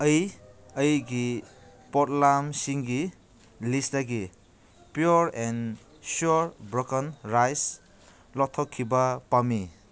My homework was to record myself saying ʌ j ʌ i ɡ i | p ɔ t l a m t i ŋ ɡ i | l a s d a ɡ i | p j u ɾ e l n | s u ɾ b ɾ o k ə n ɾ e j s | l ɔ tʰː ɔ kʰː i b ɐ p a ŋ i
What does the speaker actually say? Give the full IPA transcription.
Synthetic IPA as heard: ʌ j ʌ j ɡ i | p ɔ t l a m s i ŋ ɡ i | l i s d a ɡ i | p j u ɾ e n | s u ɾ b ɾ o k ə n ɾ a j s | l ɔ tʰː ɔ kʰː i b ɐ p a m i